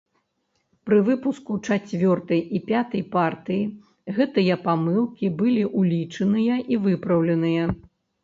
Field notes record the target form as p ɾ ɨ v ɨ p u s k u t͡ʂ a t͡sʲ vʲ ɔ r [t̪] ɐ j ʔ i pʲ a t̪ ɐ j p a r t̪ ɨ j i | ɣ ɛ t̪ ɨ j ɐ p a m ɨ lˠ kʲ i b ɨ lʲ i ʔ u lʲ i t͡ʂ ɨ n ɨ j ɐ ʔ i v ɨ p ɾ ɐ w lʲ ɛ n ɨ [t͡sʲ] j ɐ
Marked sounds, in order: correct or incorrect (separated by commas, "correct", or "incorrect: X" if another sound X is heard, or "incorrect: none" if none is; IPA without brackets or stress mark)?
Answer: correct, incorrect: none